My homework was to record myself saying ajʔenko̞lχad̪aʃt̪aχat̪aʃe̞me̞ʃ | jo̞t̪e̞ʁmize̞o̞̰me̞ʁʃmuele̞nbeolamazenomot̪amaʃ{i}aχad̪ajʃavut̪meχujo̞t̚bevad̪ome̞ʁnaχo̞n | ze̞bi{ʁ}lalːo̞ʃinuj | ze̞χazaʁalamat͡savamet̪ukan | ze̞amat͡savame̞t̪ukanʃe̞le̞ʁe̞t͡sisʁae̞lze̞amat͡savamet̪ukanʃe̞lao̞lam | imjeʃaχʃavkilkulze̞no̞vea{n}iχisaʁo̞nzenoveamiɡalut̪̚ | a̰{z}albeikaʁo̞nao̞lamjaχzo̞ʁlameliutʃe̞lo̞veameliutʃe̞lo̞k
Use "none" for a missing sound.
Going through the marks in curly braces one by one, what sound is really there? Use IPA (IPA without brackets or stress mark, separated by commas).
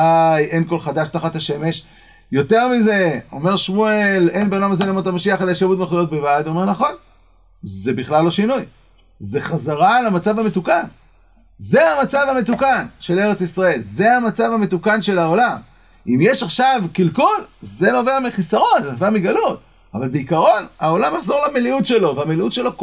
i, χ, m, v